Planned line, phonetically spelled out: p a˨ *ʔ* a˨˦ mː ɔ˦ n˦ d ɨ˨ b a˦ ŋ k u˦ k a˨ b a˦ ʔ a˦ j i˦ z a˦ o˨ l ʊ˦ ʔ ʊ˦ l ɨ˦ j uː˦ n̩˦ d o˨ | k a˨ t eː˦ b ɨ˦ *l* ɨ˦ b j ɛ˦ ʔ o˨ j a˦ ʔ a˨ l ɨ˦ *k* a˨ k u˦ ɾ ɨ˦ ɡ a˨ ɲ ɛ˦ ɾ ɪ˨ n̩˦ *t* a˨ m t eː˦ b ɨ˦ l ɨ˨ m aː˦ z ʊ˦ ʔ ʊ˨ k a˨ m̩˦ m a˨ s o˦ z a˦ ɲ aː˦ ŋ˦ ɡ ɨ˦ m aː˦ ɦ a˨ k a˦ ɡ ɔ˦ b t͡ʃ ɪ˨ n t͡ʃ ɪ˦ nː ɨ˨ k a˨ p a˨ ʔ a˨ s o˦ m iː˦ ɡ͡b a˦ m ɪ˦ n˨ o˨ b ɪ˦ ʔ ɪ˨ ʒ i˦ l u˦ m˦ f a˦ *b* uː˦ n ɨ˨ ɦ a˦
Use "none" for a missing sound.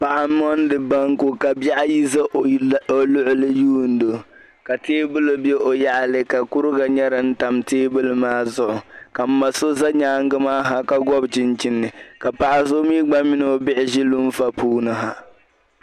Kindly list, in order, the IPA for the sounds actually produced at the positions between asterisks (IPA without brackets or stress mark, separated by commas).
ʔ, l, k, t, p